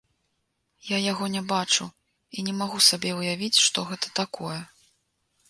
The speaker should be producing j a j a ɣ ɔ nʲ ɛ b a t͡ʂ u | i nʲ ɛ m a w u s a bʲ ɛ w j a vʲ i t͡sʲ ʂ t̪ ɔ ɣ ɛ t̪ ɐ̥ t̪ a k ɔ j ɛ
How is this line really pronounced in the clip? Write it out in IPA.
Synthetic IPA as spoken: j a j a ɣ ɔ nʲ ɛ b a t͡ʂ u | i nʲ ɛ m a ɣ u s a bʲ ɛ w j a vʲ i t͡sʲ ʂ t̪ ɔ ɣ ɛ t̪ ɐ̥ t̪ a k ɔ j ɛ

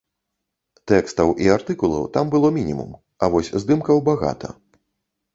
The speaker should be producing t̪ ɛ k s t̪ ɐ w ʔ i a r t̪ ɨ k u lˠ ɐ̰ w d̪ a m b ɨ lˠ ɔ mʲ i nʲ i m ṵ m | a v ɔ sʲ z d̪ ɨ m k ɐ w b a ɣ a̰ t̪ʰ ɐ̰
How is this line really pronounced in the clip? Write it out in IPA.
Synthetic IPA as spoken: t̪ ɛ k s t̪ ɐ w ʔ i a r t̪ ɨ k u lˠ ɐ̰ w t̪ a m b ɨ lˠ ɔ mʲ i nʲ i m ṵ m | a v ɔ sʲ z d̪ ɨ m k ɐ w b a ɣ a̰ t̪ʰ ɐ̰

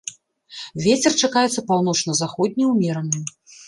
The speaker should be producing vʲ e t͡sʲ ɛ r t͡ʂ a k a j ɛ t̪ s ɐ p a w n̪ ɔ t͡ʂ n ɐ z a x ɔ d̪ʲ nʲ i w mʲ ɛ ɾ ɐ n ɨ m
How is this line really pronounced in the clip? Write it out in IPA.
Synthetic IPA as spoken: vʲ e t͡sʲ ɛ r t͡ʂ a k a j ɛ t̪ s ɐ p a w n̪ ɔ t͡ʂ n ɐ z a x ɔ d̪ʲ nʲ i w mʲ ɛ ɾ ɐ n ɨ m

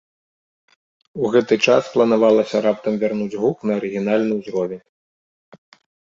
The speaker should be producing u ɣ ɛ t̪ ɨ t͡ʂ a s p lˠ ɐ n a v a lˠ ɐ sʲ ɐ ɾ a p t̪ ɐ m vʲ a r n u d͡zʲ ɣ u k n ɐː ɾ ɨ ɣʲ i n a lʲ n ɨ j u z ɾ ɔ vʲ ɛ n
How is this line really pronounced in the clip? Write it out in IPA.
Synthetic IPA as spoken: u ɣ ɛ t̪ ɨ t͡ʂ a s p lˠ ɐ n a v a lˠ ɐ sʲ ɐ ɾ a p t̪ ɐ m vʲ a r n u d͡zʲ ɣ u k n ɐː ɾ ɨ ɣʲ i n a lʲ n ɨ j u z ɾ ɔ vʲ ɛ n

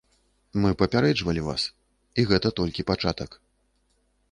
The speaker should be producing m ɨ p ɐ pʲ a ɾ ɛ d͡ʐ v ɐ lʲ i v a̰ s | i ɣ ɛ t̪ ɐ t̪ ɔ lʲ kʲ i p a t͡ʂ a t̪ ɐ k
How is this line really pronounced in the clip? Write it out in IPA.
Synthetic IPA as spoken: m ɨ p ɐ pʲ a ɾ ɛ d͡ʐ v ɐ lʲ i v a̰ s | i ɣ ɛ t̪ ɐ t̪ ɔ lʲ kʲ i p a t͡ʂ a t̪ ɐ k

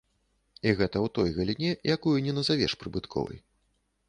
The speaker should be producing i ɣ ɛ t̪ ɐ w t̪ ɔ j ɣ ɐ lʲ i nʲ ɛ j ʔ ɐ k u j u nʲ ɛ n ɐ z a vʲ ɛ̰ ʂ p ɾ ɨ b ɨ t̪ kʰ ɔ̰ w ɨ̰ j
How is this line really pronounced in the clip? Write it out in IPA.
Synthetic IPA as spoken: i ɣ ɛ t̪ ɐ w t̪ ɔ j ɣ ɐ lʲ i nʲ ɛ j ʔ a k u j u nʲ ɛ n ɐ z a vʲ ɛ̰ ʂ p ɾ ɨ b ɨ t̪ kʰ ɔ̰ v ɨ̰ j

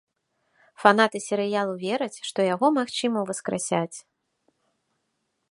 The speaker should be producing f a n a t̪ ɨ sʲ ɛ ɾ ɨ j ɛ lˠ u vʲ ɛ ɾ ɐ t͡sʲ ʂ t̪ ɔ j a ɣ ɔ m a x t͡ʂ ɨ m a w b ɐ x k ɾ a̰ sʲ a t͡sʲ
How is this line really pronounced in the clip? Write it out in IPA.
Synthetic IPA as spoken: f a n a t̪ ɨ sʲ ɛ ɾ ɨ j a lˠ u vʲ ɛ ɾ ɐ t͡sʲ ʂ t̪ ɔ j a ɣ ɔ m a x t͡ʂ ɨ m ɐ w v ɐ s k ɾ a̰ sʲ a t͡sʲ

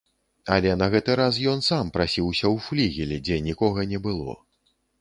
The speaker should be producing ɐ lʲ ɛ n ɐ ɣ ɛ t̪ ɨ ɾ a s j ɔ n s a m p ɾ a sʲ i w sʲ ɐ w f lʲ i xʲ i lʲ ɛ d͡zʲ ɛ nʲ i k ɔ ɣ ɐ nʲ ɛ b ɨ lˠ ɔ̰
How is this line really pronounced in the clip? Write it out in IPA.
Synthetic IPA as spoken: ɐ lʲ ɛ n ɐ ɣ ɛ t̪ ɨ ɾ a s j ɔ n s a m p ɾ a sʲ i w sʲ ɐ w f lʲ i ɣʲ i lʲ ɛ d͡zʲ ɛ nʲ i k ɔ ɣ ɐ nʲ ɛ b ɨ lˠ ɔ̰

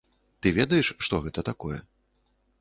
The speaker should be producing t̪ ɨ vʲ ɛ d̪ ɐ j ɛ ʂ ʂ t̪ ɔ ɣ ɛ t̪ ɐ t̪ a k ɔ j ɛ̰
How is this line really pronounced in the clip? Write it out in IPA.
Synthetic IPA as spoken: t̪ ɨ vʲ ɛ d̪ ɐ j ɛ ʂ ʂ t̪ ɔ ɣ ɛ t̪ ɐ t̪ a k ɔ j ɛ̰

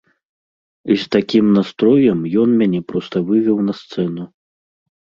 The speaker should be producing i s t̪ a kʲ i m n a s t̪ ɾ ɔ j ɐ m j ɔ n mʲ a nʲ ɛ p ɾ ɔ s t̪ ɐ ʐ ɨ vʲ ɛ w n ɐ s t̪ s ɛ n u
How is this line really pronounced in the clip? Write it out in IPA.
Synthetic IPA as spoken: i s t̪ a kʲ i m n a s t̪ ɾ ɔ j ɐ m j ɔ n mʲ a nʲ ɛ p ɾ ɔ s t̪ ɐ v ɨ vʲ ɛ w n ɐ s t̪ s ɛ n u

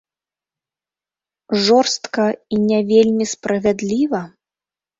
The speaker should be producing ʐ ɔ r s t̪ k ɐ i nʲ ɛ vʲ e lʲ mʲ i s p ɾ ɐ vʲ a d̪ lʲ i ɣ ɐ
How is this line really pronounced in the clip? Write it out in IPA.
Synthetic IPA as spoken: ʐ ɔ r s t̪ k ɐ i nʲ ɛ vʲ e lʲ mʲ i s p ɾ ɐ vʲ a d̪ lʲ i v ɐ

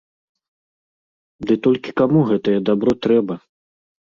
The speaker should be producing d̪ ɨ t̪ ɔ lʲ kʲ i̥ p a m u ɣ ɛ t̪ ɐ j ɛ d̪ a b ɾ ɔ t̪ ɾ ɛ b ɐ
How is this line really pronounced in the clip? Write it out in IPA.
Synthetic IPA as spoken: d̪ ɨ t̪ ɔ lʲ kʲ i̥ k a m u ɣ ɛ t̪ ɐ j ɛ d̪ a b ɾ ɔ t̪ ɾ ɛ b ɐ

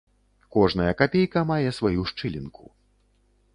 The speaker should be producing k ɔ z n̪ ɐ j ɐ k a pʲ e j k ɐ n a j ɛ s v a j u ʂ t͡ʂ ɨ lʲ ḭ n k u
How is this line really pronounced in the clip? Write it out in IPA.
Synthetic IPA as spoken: k ɔ ʐ n̪ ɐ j ɐ k a pʲ e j k ɐ m a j ɛ s v a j u ʂ t͡ʂ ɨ lʲ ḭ n k u

